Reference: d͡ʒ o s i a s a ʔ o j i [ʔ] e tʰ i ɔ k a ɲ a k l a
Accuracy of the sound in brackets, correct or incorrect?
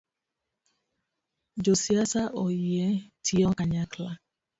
incorrect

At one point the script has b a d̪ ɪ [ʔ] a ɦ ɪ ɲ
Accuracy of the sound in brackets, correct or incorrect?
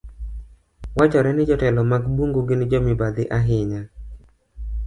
correct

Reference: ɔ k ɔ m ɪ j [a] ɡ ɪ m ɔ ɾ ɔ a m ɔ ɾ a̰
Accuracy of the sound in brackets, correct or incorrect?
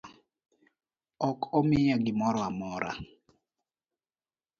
correct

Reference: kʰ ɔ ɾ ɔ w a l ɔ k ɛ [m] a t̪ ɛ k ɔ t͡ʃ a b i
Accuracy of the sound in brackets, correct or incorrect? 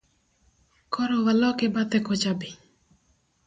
incorrect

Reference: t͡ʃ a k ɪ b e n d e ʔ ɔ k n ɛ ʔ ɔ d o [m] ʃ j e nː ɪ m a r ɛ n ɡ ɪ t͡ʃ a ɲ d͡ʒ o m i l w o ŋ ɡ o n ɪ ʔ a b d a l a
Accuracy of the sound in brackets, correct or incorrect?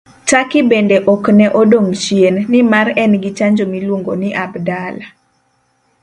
incorrect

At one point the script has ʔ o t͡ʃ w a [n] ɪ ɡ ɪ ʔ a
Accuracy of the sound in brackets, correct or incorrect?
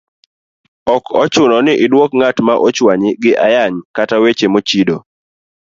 incorrect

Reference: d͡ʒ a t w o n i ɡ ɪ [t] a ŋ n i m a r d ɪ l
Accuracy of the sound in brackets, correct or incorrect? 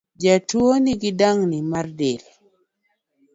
incorrect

